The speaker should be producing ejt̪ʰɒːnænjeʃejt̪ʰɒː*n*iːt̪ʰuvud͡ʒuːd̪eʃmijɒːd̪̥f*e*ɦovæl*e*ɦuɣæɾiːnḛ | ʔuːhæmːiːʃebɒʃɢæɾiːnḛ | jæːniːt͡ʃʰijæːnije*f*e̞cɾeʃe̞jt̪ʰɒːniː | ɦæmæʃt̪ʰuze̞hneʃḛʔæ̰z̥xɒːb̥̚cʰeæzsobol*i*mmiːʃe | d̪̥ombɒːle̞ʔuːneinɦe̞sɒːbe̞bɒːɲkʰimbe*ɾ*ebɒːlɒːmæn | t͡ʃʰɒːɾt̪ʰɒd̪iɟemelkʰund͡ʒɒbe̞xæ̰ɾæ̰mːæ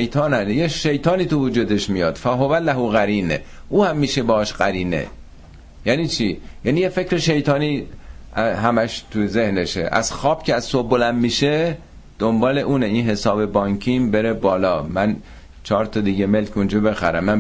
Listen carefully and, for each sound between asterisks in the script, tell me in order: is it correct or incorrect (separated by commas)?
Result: correct, incorrect, incorrect, correct, incorrect, correct